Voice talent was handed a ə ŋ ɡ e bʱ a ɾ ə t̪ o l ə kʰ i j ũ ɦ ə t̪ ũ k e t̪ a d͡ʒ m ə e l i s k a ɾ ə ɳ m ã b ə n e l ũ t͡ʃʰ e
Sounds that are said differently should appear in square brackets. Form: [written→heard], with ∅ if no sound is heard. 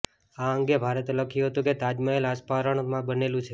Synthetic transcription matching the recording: a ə ŋ ɡ e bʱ a ɾ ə t̪ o l ə kʰ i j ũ ɦ ə t̪ ũ k e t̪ a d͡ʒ m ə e l [i→a] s [k→p] a ɾ ə ɳ m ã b ə n e l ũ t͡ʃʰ e